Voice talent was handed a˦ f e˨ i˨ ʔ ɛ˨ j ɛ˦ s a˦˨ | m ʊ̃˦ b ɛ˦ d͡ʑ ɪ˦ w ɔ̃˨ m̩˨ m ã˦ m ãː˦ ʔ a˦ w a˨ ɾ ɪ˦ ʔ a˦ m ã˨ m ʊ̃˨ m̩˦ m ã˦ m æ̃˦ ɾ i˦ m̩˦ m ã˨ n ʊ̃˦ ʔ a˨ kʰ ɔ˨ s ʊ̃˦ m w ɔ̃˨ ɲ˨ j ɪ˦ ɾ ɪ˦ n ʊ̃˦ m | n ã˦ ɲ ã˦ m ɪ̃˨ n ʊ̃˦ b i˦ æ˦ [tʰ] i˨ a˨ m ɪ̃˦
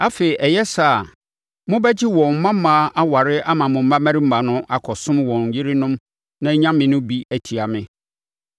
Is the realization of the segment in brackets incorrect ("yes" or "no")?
no